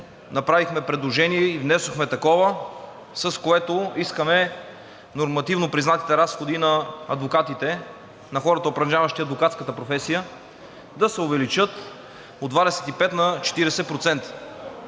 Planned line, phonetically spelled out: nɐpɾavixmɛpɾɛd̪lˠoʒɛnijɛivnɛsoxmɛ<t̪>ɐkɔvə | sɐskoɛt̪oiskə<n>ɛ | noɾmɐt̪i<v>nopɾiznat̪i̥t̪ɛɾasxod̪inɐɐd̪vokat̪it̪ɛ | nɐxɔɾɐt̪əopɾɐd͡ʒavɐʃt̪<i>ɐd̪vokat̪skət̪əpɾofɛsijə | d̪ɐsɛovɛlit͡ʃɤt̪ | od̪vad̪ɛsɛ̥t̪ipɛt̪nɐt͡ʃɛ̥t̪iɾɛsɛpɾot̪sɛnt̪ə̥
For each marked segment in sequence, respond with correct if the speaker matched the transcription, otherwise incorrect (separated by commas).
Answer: correct, incorrect, correct, correct